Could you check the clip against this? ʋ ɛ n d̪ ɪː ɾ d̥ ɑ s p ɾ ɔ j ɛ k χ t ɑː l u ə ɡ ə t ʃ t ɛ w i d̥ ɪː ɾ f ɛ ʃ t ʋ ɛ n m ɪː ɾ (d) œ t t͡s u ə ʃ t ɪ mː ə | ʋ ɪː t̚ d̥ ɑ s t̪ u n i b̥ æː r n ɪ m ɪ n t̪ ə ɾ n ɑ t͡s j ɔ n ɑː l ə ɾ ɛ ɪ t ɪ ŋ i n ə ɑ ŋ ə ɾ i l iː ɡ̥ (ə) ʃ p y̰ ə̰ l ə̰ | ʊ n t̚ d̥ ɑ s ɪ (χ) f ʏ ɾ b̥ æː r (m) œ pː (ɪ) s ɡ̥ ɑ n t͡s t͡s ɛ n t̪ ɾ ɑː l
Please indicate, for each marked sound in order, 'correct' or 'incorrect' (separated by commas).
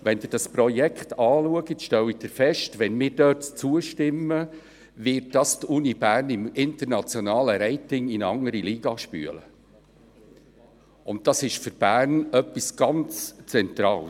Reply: correct, incorrect, incorrect, incorrect, incorrect